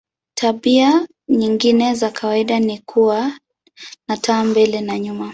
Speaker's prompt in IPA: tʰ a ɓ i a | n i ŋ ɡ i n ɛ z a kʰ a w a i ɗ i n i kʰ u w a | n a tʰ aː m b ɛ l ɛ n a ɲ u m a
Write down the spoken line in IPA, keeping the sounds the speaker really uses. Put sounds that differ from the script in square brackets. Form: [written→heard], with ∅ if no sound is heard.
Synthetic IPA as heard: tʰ a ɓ i a | [n→ɲ] i ŋ ɡ i n ɛ z a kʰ a w a i ɗ [i→a] n i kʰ u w a | n a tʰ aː m b ɛ l ɛ n a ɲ u m a